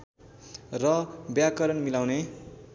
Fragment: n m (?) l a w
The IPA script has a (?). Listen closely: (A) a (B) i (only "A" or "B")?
B